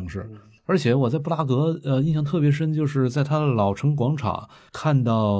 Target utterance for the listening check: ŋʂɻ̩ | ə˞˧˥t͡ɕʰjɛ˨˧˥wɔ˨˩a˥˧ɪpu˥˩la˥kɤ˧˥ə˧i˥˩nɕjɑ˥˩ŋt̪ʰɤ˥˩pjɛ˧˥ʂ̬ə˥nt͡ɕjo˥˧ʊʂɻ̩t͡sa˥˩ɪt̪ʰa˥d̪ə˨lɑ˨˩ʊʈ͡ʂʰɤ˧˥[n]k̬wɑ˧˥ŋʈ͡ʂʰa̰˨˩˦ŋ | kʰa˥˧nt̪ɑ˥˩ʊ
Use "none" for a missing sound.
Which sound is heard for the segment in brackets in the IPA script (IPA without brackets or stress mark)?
ŋ